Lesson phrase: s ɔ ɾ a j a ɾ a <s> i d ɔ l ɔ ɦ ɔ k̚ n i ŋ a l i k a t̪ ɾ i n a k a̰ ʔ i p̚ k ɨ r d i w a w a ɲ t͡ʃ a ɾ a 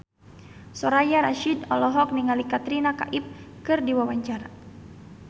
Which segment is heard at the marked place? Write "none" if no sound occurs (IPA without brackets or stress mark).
ʃ